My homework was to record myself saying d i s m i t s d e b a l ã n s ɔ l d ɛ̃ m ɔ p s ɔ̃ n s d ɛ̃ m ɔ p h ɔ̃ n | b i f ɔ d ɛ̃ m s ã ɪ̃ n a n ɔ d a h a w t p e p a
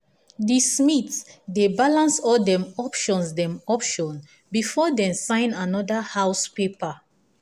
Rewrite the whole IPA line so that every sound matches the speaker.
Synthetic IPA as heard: d i s m i t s d e b a l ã n s ɔ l d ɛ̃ m ɔ p ʃ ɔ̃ n s d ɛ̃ m ɔ p ʃ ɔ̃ n | b i f ɔ d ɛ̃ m s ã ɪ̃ n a n ɔ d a h a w s p e p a